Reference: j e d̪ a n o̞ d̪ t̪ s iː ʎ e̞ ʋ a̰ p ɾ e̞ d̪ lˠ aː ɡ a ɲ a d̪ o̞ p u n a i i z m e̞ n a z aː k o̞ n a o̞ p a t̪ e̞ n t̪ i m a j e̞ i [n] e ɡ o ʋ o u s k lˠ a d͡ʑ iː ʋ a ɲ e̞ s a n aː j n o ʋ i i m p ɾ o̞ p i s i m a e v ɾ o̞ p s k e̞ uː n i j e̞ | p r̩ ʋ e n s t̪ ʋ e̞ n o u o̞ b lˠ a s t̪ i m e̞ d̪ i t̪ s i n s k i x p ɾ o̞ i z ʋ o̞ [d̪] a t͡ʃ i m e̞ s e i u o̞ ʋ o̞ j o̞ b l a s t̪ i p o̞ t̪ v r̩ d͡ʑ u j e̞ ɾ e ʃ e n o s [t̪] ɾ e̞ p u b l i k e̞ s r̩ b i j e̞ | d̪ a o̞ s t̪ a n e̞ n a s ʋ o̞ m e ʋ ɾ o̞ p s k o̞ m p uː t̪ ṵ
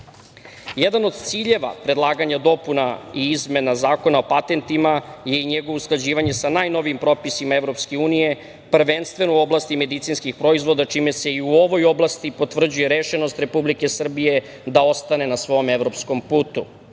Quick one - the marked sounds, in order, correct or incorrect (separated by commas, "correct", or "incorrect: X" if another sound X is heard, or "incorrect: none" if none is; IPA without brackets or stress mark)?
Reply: incorrect: ɲ, correct, correct